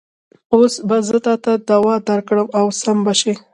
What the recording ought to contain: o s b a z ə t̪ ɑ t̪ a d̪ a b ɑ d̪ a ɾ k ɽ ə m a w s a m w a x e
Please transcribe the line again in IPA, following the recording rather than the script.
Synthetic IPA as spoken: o s b a z ə t̪ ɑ t̪ a d̪ a w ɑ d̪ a ɾ k ɽ ə m a w s a m b a ʃ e

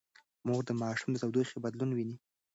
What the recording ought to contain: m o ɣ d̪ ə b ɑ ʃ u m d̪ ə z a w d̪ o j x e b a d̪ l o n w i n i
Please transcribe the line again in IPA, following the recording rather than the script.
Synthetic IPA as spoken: m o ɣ d̪ ə m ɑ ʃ u m d̪ ə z a w d̪ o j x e b a d̪ l u n w i n i

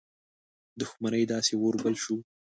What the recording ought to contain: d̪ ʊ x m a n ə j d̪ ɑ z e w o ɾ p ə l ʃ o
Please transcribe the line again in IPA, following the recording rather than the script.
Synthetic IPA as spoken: d̪ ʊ x m a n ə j d̪ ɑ s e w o ɾ b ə l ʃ u

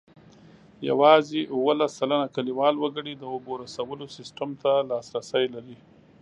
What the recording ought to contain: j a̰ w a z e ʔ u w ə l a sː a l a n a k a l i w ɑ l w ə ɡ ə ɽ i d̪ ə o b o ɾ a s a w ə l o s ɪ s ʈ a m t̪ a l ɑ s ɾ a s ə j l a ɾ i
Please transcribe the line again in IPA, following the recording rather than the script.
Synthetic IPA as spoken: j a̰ w ɑ z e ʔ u w ə l a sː a l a n a k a l i w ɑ l w ə ɡ ə ɽ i d̪ ə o b o ɾ a s a w ə l o s ɪ s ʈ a m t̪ a l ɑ s ɾ a s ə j l a ɾ i

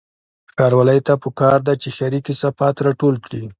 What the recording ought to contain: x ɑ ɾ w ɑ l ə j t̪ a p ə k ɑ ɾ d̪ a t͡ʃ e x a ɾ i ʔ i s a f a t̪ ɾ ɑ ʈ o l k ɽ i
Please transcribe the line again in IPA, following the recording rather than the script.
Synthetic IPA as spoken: x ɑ ɾ w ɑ l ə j t̪ a p ə k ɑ ɾ d̪ a t͡ʃ e x a ɾ i k i s a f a t̪ ɾ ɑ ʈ o l k ɽ i

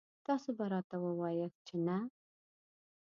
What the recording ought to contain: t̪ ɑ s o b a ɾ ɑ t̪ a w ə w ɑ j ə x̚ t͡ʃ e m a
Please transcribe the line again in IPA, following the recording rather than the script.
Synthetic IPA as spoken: t̪ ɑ s o b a ɾ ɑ t̪ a w ə w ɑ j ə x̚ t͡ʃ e n a

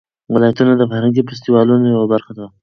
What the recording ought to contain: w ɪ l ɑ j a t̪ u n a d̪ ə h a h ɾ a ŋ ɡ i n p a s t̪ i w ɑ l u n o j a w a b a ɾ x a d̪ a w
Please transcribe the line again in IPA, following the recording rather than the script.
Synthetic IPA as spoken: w ɪ l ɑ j a t̪ u n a d̪ ə f a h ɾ a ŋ ɡ i p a s t̪ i w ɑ l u n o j a w a b a ɾ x a d̪ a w

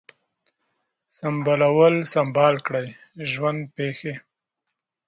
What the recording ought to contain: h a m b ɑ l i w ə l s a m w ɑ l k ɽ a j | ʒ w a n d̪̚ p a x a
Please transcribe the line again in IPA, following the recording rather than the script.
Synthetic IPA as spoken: s a m b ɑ l a w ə l s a m b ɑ l k ɽ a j | ʒ w a n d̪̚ p e x e

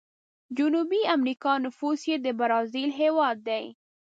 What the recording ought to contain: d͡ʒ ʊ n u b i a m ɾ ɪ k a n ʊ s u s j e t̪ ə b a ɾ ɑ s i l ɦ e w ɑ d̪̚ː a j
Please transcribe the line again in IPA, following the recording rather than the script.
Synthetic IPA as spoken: d͡ʒ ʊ n u b i a m ɾ i k ɑ n ʊ f u s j e d̪ ə b a ɾ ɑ z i l ɦ e w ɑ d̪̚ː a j

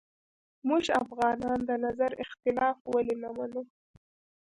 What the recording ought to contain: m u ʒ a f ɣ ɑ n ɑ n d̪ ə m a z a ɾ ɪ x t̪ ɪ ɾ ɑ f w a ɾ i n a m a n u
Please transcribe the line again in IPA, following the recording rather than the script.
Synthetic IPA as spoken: m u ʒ a f ɣ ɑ n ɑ n d̪ ə n a z a ɾ ɪ x t̪ ɪ l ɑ f w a l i n a m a n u

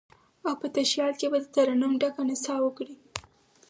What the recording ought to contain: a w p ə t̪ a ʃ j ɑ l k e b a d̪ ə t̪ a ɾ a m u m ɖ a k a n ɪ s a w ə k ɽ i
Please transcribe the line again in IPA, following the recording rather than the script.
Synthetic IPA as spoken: a w p ə t̪ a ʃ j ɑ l k e b a d̪ ə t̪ a ɾ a n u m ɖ a k a n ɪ s ɑ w ə k ɽ i

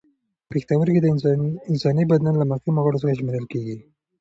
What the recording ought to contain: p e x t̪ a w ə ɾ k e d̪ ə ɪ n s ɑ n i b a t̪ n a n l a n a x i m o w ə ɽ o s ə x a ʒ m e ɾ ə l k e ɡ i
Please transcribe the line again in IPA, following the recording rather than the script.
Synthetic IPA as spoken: p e x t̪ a w ə ɾ k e d̪ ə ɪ n s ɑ n i b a d̪ n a n l a m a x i m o ɣ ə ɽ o s ə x a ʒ m e ɾ ə l k e ɡ i

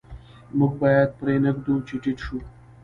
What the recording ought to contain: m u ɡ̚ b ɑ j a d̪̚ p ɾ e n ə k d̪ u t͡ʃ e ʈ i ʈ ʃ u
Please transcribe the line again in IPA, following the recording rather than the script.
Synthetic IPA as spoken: m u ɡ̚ b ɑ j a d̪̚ p ɾ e n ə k d̪ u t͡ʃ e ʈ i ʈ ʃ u

